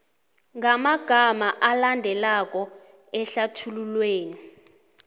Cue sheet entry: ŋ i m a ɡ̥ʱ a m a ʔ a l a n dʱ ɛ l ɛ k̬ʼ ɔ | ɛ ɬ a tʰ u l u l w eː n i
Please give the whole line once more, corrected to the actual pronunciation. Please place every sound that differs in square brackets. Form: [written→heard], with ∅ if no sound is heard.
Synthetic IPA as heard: ŋ [i→a] m a ɡ̥ʱ a m a ʔ a l a n dʱ ɛ l [ɛ→a] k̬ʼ ɔ | ɛ ɬ a tʰ u l u l w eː n i